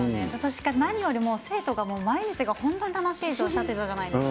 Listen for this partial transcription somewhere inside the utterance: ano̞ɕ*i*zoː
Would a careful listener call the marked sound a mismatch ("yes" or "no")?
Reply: yes